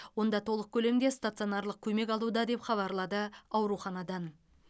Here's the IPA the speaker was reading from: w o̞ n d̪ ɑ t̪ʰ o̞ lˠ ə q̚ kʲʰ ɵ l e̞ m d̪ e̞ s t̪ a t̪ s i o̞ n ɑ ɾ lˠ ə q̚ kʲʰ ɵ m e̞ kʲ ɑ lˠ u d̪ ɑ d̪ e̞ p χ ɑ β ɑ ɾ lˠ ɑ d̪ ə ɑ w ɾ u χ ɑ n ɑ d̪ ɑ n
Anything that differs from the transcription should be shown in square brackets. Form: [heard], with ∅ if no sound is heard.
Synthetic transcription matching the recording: w o̞ n d̪ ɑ t̪ʰ o̞ lˠ ə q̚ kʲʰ ɵ l e̞ m d̪ e̞ s t̪ a t̪ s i o̞ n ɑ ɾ lˠ ə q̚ kʲʰ ɵ m e̞ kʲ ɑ lˠ u d̪ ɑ d̪ e̞ p χ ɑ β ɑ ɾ lˠ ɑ d̪ ə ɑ w ɾ u χ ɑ n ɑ d̪ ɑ n